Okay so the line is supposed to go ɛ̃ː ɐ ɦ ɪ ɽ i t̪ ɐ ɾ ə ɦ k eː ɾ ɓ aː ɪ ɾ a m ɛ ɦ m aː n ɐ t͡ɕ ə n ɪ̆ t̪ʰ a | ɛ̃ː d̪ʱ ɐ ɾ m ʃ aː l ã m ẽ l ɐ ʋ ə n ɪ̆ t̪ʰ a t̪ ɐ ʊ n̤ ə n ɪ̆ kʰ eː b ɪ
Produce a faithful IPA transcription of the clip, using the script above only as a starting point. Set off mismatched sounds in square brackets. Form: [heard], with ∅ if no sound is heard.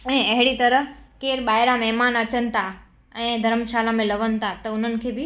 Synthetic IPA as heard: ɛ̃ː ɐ ɦ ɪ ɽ i t̪ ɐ ɾ ə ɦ k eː ɾ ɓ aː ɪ ɾ a m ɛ ɦ m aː n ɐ t͡ɕ ə n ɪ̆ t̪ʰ a | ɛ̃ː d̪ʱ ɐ ɾ m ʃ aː l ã m ẽ l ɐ ʋ ə n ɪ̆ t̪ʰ a t̪ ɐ ʊ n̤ ə n ɪ̆ kʰ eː b ɪ

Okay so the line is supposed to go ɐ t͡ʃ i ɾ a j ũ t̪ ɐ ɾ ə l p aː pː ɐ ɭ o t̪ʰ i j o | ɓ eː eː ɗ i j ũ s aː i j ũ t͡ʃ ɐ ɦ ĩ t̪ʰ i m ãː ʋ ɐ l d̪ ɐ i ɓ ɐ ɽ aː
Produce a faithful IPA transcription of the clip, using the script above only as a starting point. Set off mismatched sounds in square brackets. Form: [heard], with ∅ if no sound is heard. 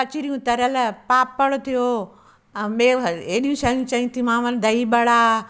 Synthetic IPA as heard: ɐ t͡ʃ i ɾ [i] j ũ t̪ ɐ ɾ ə l p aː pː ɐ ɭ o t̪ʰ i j o | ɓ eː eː ɗ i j ũ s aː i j ũ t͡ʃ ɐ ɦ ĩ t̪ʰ i m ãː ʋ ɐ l d̪ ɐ i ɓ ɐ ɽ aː

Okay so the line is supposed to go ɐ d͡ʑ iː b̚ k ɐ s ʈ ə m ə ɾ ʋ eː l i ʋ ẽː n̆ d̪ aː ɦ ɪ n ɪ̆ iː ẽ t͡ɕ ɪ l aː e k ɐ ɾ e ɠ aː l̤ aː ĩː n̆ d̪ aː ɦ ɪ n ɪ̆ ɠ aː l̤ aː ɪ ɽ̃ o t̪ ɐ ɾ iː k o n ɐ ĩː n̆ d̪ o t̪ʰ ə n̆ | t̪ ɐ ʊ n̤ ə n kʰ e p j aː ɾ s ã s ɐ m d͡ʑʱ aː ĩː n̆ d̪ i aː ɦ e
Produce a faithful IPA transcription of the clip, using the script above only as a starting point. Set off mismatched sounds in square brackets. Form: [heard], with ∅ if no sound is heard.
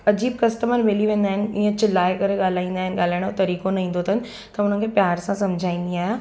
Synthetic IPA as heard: ɐ d͡ʑ iː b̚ k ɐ s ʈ ə m ə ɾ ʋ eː l i ʋ ẽː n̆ d̪ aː ɦ ɪ n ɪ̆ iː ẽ t͡ɕ ɪ l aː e k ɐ ɾ e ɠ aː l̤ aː ĩː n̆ d̪ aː ɦ ɪ n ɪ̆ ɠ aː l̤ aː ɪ ɽ̃ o t̪ ɐ ɾ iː k o n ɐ ĩː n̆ d̪ o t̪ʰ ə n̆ | t̪ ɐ ʊ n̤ ə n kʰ e p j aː ɾ s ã s ɐ m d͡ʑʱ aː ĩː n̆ d̪ i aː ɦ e

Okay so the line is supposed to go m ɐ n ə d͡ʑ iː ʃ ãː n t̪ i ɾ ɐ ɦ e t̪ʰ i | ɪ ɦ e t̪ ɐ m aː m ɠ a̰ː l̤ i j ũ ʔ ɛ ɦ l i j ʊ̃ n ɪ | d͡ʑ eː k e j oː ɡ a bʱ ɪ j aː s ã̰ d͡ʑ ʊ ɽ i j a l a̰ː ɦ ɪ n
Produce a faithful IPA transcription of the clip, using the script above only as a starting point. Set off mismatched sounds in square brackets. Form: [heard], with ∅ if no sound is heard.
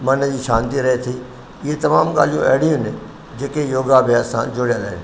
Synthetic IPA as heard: m ɐ n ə d͡ʑ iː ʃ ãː n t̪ i ɾ ɐ ɦ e t̪ʰ i | ɪ ɦ e t̪ ɐ m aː m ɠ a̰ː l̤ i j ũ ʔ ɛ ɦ [ɽ] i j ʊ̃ n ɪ | d͡ʑ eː k e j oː ɡ a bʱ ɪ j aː s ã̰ d͡ʑ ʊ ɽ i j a l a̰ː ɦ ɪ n

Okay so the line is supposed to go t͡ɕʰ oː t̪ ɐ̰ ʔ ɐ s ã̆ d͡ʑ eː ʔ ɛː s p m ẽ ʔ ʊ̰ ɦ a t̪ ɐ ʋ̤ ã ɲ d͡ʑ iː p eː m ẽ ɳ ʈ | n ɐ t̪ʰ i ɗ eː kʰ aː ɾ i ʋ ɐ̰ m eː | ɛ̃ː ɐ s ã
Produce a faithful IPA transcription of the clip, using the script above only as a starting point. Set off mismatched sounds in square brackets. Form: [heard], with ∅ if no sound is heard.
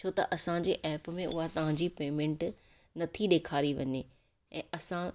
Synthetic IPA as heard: t͡ɕʰ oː t̪ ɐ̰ ʔ ɐ s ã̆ d͡ʑ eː ʔ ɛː [∅] p m ẽ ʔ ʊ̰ ɦ a t̪ ɐ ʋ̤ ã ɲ d͡ʑ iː p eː m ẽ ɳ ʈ | n ɐ t̪ʰ i ɗ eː kʰ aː ɾ i ʋ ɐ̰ [ɲ] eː | ɛ̃ː ɐ s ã

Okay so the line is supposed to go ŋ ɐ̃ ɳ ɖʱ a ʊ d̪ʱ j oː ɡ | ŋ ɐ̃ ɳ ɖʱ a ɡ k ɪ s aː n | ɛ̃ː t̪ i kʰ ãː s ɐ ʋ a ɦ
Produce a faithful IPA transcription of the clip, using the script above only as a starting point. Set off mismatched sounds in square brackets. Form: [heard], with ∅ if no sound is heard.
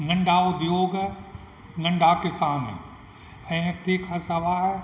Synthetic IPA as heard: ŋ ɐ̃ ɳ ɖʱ a ʊ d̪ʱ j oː ɡ | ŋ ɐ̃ ɳ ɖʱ a [∅] k ɪ s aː n | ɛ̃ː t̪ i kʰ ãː s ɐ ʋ a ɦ

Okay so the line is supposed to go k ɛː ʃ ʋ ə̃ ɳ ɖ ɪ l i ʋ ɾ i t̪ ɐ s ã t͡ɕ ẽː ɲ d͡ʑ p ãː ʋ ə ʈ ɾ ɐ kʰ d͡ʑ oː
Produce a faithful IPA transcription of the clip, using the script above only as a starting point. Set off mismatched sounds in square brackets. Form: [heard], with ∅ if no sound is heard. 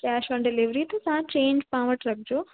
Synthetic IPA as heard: k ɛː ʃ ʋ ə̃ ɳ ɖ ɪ l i ʋ ɾ i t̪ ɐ s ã t͡ɕ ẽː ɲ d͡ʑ p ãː ʋ ə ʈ ɾ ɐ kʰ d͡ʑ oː

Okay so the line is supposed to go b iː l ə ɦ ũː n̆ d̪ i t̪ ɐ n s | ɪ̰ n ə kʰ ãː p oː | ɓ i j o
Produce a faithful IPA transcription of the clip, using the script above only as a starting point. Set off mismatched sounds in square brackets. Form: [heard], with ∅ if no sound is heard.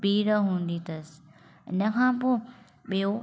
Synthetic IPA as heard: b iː [ɾ] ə ɦ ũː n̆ d̪ i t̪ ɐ [∅] s | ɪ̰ n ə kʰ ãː p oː | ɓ i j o

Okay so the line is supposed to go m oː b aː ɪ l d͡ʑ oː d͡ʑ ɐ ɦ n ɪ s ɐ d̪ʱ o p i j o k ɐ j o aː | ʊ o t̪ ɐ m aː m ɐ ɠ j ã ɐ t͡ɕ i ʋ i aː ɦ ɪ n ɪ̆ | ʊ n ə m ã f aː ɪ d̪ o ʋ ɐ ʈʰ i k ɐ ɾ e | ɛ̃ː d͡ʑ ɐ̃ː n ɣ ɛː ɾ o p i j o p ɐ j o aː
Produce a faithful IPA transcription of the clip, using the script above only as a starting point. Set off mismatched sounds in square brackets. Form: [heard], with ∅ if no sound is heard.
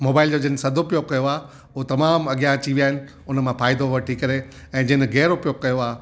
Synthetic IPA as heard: m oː b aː ɪ l d͡ʑ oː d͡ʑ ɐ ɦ n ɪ s ɐ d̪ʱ o p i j o k ɐ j o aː | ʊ o t̪ ɐ m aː m ɐ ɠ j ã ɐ t͡ɕ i ʋ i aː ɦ ɪ n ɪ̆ | ʊ n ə m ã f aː ɪ d̪ o ʋ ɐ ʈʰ i k ɐ ɾ e | ɛ̃ː d͡ʑ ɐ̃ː n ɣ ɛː ɾ o p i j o [k] ɐ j o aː

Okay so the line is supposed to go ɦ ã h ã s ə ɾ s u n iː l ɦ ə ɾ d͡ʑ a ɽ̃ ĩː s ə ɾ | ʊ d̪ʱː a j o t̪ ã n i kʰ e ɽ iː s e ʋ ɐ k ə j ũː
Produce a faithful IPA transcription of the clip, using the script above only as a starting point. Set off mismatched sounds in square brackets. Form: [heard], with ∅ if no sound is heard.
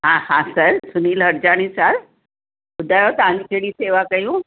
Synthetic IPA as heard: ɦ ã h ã s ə ɾ s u n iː l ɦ ə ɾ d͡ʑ a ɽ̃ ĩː s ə ɾ | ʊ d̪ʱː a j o t̪ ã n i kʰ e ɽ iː s e ʋ [a] k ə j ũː

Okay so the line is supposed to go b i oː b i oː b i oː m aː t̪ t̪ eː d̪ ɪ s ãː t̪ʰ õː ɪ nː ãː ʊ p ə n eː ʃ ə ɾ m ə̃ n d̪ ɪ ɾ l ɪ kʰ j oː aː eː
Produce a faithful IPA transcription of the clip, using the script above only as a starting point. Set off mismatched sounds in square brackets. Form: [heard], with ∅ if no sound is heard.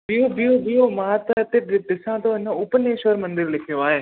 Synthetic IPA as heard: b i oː b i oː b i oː m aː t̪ t̪ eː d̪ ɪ s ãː [t̪] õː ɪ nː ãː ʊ p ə n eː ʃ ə ɾ m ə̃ n d̪ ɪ ɾ l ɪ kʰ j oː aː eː

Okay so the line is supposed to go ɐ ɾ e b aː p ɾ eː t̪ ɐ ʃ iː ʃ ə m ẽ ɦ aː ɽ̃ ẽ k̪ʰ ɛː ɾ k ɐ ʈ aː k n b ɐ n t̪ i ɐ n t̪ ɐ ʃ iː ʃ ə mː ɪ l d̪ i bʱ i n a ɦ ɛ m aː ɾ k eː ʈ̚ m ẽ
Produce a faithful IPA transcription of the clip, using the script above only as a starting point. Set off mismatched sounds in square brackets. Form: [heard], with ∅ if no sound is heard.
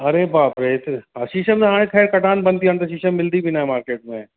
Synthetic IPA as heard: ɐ ɾ e b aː p ɾ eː t̪ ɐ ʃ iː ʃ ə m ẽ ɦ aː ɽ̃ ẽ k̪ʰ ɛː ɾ k ɐ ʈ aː [∅] n b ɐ n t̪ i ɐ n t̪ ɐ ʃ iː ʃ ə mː ɪ l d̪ i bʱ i n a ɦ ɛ m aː ɾ k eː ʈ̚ m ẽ

